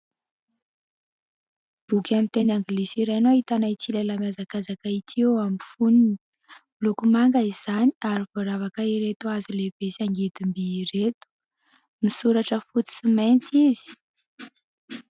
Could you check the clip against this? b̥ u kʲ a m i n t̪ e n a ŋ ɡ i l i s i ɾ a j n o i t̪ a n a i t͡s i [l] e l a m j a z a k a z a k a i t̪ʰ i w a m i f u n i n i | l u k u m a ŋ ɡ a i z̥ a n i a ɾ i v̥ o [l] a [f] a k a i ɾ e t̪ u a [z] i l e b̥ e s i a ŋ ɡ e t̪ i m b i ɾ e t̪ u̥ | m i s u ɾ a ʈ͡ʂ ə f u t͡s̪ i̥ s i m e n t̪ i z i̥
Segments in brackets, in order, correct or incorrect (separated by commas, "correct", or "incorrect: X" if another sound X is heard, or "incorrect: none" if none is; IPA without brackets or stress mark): correct, incorrect: ɾ, incorrect: v, correct